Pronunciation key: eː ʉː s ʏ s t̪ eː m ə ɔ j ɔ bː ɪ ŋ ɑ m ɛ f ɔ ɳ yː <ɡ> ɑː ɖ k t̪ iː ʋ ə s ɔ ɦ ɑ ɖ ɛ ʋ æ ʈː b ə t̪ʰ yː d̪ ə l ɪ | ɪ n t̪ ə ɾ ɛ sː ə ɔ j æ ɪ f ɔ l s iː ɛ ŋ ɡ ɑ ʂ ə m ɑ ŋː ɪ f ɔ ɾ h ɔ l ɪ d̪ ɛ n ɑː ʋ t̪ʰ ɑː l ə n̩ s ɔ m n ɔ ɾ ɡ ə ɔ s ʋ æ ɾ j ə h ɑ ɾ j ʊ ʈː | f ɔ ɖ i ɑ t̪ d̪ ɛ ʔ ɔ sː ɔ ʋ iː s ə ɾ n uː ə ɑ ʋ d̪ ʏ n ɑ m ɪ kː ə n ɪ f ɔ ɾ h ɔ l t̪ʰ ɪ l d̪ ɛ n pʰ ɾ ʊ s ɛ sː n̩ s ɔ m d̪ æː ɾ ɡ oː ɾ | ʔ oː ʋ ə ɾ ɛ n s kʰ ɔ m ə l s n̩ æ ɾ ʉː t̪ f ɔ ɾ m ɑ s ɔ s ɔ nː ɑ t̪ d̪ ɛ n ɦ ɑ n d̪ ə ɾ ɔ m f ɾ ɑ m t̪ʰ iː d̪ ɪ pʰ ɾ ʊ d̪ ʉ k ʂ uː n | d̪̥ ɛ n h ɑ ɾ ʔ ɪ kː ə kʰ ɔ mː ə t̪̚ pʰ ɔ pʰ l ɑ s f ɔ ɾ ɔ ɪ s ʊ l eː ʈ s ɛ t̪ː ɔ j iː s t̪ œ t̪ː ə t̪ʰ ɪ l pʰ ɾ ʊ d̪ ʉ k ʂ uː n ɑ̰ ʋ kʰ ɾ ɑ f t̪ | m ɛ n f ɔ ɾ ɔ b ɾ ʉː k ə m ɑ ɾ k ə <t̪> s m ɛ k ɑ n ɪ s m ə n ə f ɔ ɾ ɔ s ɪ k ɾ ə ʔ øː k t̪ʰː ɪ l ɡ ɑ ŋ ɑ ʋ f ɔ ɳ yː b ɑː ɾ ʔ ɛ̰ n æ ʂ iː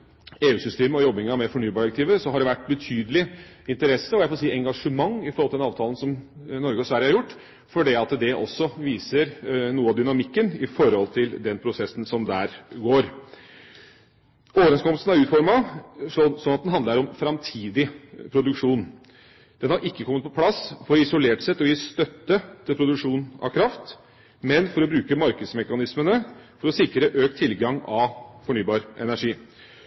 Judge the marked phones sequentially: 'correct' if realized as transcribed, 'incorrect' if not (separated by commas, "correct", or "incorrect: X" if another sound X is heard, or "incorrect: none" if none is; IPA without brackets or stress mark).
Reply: incorrect: b, incorrect: d̪